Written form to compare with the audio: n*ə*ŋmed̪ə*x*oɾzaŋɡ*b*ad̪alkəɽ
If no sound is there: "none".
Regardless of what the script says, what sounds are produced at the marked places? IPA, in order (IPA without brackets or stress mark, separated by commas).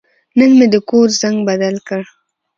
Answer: ə, k, b